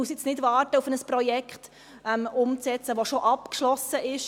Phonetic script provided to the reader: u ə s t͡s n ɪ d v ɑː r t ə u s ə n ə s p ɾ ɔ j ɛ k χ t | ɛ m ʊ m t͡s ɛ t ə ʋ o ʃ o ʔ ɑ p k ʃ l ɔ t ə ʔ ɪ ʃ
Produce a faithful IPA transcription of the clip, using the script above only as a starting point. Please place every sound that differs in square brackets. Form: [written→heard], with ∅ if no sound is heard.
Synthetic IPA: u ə s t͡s n ɪ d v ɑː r t ə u [s→f] ə n ə s p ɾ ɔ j ɛ k χ t | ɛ m ʊ m t͡s ɛ [t→t͡s] ə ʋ o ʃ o ʔ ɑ p k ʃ l ɔ [t→s] ə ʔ ɪ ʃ